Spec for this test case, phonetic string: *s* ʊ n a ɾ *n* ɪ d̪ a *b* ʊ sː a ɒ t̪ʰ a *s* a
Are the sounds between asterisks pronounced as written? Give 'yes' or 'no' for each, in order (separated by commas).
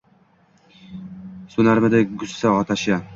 yes, no, no, no